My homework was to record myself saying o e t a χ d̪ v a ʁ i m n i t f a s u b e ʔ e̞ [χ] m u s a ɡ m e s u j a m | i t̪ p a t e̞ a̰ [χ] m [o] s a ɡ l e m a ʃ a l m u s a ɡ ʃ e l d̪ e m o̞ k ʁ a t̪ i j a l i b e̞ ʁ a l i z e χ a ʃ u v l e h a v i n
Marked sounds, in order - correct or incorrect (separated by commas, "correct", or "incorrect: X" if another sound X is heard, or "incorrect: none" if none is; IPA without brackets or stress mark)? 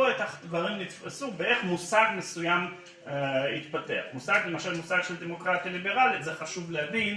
correct, correct, incorrect: u